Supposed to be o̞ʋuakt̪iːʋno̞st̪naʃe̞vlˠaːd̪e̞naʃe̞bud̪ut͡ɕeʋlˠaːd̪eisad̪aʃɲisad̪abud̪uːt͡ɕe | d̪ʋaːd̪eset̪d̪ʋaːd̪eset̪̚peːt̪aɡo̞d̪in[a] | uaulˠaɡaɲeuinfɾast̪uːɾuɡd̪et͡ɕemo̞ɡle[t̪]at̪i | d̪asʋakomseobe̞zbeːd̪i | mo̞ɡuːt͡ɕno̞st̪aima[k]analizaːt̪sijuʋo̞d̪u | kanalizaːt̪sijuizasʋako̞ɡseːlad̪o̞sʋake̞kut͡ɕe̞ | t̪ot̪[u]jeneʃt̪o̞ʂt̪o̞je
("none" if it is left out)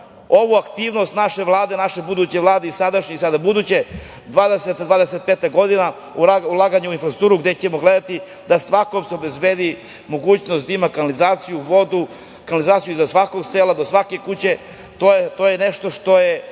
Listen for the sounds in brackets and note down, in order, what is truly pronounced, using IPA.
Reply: a, d̪, k, o

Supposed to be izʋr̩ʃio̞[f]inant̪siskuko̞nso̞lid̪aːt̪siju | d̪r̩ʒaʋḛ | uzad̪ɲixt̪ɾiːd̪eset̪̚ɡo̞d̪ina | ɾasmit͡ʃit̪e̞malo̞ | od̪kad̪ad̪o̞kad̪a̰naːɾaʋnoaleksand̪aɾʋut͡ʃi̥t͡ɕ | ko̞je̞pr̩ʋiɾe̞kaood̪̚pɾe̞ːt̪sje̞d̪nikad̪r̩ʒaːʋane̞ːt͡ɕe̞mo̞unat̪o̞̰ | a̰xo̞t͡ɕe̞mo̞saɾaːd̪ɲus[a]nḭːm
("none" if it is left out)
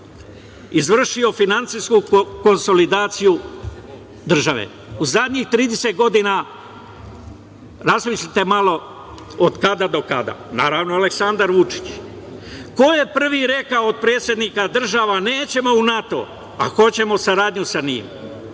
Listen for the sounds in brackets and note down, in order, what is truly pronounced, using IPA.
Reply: f, a

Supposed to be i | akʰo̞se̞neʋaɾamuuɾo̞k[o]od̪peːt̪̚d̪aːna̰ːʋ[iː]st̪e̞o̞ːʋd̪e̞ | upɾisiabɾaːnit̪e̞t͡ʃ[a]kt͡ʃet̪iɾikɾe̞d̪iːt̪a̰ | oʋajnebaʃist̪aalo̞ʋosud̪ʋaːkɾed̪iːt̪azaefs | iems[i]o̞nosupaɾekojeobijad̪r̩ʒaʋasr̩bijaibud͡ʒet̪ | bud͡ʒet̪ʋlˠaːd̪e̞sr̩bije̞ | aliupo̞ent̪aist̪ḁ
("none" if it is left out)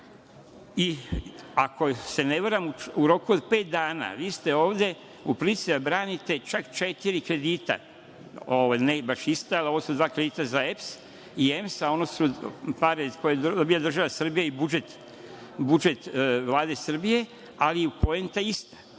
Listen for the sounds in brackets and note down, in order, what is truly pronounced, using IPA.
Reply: u, iː, a, a

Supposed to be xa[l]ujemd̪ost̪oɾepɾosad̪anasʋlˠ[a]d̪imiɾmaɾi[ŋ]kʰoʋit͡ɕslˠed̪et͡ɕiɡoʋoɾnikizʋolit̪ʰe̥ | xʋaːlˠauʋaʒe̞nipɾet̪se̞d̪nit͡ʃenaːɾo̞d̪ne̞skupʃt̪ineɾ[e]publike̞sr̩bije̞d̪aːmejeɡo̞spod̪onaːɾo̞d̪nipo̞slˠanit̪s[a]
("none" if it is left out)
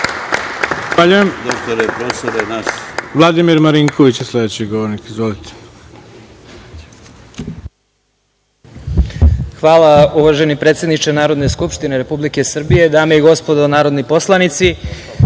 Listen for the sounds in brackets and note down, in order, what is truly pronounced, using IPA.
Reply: ʎ, a, ŋ, e, i

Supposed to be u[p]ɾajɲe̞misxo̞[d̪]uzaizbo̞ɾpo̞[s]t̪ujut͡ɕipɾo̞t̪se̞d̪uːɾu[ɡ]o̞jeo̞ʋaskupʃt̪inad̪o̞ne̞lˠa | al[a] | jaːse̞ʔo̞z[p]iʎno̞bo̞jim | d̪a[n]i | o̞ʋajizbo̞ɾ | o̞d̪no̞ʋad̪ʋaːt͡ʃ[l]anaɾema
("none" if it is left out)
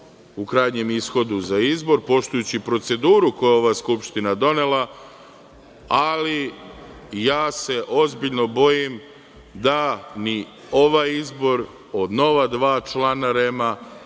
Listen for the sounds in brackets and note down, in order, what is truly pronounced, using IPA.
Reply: k, d̪, ʃ, k, i, b, n, l

